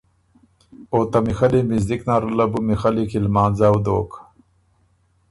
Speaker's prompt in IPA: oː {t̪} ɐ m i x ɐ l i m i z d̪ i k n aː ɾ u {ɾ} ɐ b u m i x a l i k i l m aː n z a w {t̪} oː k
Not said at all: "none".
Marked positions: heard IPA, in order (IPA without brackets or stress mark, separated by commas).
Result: t̪, l, d̪